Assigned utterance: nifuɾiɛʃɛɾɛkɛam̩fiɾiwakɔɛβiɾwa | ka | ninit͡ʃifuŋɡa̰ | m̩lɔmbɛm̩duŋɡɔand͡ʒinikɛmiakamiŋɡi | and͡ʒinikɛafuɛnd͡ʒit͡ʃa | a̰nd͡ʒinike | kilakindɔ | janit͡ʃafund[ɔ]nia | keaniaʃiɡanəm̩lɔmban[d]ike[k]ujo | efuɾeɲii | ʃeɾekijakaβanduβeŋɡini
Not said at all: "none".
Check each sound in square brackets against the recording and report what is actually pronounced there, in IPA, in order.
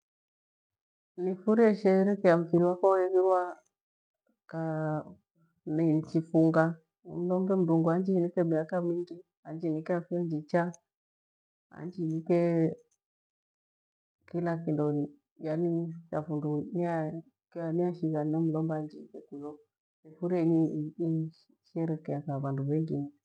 u, d͡ʒ, k

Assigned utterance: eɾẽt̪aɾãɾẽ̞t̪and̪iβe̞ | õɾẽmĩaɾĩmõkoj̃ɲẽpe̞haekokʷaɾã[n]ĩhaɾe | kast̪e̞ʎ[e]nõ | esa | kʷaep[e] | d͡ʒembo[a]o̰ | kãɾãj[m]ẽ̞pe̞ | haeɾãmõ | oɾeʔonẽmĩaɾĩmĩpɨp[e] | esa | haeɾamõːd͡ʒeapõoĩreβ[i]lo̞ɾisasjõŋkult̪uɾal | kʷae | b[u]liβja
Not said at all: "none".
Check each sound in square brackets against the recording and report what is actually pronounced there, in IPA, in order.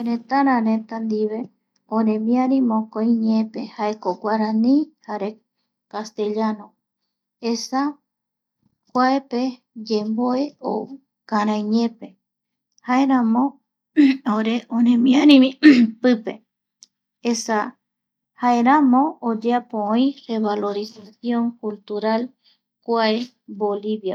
n, a, e, e, ɲ, e, a, o

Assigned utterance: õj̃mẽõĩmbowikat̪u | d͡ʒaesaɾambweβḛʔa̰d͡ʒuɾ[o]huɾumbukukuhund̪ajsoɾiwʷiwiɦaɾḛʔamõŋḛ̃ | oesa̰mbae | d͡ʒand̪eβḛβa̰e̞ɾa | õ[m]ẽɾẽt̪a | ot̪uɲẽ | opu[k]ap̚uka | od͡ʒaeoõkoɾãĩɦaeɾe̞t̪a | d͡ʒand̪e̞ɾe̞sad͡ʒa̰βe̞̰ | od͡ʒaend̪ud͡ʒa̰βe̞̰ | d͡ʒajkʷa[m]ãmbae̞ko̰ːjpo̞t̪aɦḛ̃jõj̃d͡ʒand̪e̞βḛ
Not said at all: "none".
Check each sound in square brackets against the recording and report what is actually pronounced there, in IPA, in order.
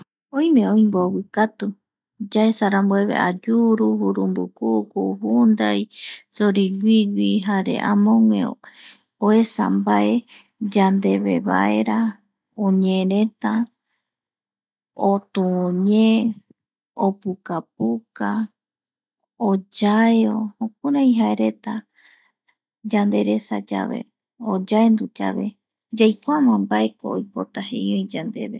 u, ɲ, k, m

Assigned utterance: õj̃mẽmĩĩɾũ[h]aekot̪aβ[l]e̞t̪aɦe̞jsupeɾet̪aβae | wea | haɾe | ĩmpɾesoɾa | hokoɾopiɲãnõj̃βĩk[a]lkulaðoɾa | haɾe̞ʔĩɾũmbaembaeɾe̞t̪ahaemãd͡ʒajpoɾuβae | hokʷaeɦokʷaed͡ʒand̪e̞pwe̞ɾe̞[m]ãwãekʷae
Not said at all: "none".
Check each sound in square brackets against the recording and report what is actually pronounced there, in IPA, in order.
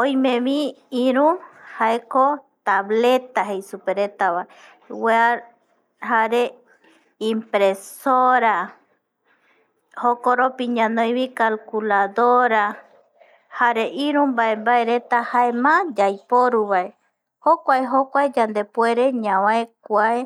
h, l, a, ɲ

